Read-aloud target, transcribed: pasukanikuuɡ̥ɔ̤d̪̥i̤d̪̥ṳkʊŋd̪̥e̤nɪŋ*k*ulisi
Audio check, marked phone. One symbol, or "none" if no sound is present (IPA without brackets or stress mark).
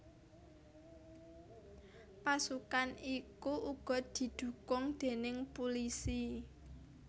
p